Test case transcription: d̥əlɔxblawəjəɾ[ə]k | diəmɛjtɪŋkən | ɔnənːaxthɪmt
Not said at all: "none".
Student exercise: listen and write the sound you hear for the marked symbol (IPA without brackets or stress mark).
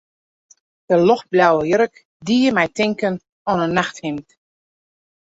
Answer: ə